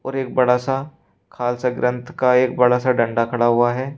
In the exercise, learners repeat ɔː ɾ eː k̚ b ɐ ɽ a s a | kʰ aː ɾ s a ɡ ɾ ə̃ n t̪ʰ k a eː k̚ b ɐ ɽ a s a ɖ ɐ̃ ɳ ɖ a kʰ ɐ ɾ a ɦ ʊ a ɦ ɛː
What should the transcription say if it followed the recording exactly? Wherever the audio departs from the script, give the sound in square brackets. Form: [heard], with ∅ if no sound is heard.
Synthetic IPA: ɔː ɾ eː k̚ b ɐ ɽ a s a | kʰ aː [l] s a ɡ ɾ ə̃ n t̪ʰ k a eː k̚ b ɐ ɽ a s a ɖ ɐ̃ ɳ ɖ a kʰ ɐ [ɽ] a ɦ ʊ a ɦ ɛː